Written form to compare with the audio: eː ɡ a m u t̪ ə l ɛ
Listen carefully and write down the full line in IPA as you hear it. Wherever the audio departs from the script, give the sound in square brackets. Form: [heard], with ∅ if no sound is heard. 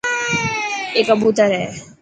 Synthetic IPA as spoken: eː [k] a [b] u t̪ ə [ɾ] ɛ